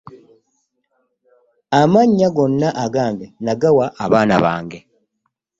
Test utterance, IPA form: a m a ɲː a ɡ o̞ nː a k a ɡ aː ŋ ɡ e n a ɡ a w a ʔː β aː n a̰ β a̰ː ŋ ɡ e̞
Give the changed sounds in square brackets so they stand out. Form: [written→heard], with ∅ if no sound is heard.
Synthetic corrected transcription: a m a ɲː a ɡ o̞ nː a [k→ʔ] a ɡ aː ŋ ɡ e n a ɡ a w a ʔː β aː n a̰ β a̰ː ŋ ɡ e̞